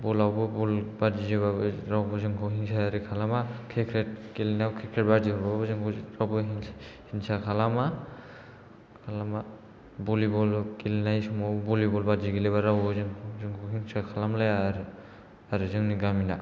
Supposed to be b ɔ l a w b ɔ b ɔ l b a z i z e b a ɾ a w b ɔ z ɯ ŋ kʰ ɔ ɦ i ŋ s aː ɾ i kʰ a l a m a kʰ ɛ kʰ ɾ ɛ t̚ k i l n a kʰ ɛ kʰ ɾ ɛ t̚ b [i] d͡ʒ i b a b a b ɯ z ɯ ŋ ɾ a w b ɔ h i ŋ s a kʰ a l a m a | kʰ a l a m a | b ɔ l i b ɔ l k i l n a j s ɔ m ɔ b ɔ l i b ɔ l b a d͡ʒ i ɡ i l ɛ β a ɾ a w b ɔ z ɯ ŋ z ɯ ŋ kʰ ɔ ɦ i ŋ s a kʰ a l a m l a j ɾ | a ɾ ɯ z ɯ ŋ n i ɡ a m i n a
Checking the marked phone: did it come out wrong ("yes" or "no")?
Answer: yes